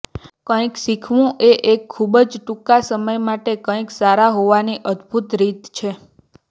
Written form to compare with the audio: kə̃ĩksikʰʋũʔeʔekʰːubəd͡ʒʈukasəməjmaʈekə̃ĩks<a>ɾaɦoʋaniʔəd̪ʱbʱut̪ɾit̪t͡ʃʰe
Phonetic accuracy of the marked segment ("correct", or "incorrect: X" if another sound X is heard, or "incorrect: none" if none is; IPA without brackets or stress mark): correct